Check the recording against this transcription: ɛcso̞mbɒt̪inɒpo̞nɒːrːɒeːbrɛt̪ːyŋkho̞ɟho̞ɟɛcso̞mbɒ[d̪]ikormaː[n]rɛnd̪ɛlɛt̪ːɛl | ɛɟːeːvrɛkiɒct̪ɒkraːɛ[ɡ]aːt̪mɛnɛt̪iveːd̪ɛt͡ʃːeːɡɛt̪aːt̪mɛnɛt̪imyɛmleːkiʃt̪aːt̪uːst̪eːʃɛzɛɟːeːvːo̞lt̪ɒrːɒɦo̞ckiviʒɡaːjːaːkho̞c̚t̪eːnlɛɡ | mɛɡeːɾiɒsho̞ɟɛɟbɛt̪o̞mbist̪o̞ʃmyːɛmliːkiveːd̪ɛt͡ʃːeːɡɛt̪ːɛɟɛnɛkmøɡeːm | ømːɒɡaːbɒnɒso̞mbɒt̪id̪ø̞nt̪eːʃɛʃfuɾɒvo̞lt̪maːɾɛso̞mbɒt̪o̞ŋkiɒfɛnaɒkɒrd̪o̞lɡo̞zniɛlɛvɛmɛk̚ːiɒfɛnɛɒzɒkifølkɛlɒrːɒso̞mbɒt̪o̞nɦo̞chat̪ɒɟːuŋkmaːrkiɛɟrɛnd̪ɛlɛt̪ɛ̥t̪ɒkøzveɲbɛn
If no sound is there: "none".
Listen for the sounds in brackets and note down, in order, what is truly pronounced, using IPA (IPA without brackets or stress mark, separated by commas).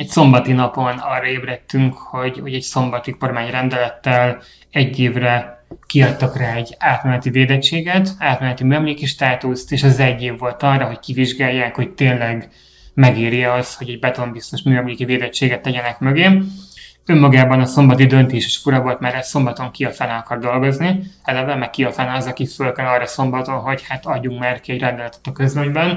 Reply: t̪, ɲ, ɟ